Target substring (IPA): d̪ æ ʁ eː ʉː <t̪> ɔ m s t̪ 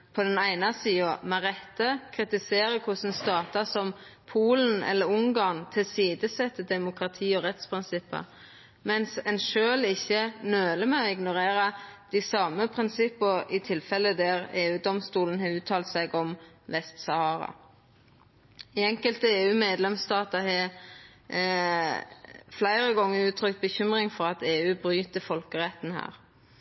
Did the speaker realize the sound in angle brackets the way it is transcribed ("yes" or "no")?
no